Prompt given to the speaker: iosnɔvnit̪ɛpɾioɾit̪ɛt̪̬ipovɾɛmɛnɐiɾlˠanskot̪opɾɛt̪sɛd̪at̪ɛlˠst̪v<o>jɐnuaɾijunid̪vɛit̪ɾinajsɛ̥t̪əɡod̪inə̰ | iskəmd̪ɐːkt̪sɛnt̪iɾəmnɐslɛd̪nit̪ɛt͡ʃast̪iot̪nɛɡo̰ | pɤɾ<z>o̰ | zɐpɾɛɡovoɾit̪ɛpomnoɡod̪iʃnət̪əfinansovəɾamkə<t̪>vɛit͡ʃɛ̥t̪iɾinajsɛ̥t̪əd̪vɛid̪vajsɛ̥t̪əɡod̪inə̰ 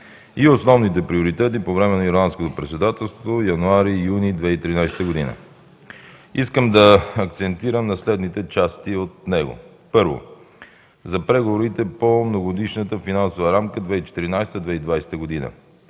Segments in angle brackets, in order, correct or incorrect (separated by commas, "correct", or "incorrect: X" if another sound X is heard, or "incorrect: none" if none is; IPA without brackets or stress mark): correct, incorrect: v, incorrect: d̪